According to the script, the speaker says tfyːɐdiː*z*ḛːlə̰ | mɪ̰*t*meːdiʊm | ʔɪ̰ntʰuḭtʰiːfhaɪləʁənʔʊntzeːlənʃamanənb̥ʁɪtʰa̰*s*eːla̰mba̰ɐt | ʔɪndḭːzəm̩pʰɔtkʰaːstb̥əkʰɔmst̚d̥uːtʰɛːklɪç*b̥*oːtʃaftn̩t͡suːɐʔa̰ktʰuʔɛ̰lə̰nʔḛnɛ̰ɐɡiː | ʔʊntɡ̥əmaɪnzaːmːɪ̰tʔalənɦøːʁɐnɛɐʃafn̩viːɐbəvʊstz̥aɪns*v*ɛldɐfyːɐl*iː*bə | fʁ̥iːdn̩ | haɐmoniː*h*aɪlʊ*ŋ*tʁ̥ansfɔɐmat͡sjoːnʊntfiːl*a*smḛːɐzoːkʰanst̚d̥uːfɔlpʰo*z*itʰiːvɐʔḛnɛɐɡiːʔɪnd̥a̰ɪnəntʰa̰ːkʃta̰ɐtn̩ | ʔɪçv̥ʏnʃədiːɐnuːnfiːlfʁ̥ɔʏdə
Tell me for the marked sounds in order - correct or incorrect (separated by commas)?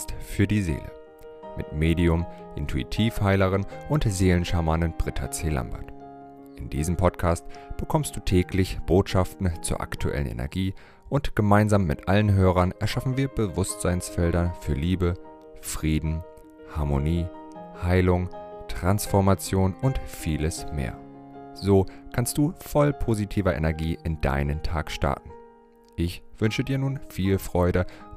correct, correct, incorrect, correct, incorrect, correct, correct, correct, incorrect, correct